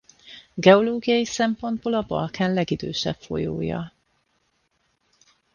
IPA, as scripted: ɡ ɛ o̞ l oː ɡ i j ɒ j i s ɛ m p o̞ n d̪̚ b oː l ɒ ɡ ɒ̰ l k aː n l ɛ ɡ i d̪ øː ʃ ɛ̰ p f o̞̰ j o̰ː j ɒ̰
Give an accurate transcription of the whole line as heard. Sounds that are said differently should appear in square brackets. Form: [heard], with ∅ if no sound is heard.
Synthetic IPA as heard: ɡ ɛ o̞ l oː ɡ i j ɒ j i s ɛ m p o̞ n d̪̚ b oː l ɒ [b] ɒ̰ l k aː n l ɛ ɡ i d̪ øː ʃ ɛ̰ p f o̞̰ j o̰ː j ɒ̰